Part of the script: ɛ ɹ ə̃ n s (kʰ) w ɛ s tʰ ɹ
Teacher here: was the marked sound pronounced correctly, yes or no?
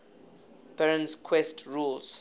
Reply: yes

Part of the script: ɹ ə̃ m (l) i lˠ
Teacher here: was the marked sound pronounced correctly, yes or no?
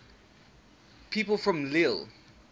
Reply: yes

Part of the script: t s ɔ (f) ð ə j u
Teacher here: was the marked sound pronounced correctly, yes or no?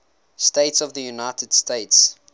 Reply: no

